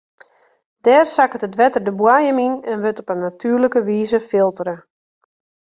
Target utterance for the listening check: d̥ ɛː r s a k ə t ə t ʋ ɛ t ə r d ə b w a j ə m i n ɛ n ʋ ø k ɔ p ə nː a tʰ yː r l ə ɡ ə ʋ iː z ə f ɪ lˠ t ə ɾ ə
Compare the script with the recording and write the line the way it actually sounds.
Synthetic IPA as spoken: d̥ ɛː r s a k ə t ə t ʋ ɛ t ə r d ə b w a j ə m i n ɛ n ʋ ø t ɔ p ə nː a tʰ yː r l ə k ə ʋ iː z ə f ɪ lˠ t ə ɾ ə